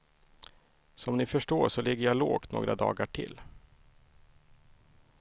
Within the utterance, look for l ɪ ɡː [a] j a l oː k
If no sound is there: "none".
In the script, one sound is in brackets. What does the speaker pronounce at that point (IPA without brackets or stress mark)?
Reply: ə